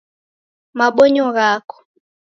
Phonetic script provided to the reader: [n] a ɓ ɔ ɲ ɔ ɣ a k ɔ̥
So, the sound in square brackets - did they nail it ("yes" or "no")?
no